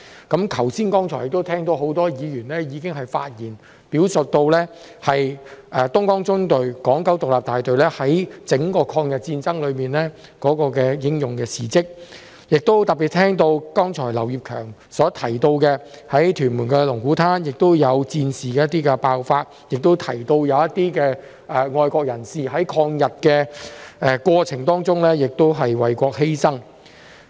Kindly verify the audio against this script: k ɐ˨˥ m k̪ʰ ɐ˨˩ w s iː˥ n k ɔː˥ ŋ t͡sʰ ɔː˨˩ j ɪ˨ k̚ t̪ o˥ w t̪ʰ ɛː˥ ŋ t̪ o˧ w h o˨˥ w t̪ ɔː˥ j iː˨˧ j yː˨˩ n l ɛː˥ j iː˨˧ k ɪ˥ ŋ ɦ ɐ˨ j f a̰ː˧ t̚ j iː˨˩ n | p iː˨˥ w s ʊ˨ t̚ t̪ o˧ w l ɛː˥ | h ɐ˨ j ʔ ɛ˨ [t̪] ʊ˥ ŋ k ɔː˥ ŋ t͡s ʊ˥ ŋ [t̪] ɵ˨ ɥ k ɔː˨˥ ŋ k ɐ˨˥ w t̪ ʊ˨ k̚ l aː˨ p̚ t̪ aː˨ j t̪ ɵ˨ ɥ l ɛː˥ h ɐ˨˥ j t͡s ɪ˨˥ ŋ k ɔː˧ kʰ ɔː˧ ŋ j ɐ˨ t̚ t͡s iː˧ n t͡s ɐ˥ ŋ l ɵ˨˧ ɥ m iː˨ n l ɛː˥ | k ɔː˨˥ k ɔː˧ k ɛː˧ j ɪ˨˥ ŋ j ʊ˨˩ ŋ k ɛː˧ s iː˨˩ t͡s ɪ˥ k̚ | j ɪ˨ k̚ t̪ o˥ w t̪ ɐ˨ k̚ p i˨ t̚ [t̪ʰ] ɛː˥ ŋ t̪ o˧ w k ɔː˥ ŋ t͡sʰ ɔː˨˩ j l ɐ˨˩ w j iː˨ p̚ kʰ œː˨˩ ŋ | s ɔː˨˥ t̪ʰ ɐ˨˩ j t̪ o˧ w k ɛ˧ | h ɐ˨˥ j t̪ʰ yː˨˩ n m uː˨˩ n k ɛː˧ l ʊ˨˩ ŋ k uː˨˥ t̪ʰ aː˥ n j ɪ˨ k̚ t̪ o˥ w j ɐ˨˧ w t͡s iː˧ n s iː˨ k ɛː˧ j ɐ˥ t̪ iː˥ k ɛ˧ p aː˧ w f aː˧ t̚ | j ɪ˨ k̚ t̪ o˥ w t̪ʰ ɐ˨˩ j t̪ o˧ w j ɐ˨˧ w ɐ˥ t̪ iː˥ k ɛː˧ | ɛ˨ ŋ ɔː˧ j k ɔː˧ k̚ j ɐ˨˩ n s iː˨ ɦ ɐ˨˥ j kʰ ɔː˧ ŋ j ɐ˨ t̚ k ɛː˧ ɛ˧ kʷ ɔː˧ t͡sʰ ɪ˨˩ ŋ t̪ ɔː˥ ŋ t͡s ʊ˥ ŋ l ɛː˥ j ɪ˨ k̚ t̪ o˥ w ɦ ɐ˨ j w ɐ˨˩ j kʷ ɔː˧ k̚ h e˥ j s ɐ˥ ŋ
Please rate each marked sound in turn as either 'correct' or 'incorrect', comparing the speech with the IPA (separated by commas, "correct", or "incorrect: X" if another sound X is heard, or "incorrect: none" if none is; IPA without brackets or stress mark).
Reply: correct, correct, correct